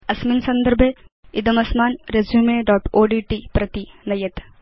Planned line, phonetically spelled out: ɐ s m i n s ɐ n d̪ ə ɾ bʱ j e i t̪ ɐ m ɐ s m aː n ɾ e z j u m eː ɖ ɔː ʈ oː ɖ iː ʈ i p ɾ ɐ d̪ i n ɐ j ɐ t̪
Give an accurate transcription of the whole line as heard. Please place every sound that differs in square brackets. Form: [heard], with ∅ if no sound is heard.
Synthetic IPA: ɐ s m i n s ɐ n d̪ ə ɾ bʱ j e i [d̪] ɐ m ɐ s m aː n ɾ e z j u m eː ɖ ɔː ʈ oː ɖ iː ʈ i p ɾ ɐ [t̪] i n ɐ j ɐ t̪